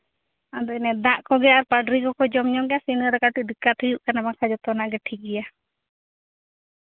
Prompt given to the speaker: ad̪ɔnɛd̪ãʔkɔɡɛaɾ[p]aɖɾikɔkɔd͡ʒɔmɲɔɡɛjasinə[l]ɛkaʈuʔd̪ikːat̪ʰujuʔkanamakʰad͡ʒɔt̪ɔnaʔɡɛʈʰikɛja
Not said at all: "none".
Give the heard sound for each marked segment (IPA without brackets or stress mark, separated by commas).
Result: p, ɾ